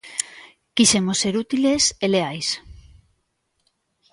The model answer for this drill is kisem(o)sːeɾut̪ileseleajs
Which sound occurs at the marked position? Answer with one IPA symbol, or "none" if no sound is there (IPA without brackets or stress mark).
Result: o